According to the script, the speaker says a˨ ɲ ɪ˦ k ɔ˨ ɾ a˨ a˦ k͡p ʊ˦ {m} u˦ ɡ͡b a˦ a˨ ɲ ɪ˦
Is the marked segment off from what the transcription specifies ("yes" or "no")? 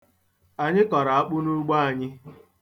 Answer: yes